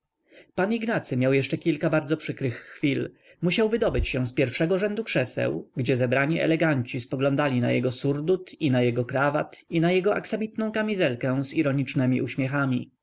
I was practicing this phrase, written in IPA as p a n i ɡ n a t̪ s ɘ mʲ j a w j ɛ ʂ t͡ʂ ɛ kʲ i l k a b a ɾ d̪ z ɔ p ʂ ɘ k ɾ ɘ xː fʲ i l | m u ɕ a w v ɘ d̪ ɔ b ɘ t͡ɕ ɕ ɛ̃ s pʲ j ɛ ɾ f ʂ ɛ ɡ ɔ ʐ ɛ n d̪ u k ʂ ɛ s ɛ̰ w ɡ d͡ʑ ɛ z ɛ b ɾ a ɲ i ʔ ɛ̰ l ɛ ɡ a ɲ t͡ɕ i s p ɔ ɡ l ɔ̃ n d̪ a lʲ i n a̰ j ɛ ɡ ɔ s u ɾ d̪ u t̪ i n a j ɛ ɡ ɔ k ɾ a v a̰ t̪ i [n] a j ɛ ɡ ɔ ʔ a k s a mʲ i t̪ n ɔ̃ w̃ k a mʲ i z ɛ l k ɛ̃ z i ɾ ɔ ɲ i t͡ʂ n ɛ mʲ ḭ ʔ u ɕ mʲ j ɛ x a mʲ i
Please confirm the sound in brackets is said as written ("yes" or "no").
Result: yes